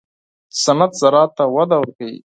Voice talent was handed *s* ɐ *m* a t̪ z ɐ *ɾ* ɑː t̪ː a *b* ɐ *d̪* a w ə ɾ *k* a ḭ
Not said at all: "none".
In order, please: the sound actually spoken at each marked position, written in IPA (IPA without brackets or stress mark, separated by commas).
s, n, ɾ, w, d̪, k